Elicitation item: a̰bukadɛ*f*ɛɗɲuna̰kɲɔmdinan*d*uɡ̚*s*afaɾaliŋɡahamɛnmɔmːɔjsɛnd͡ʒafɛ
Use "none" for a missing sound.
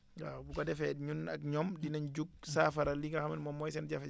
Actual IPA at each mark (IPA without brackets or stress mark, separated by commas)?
f, d͡ʒ, s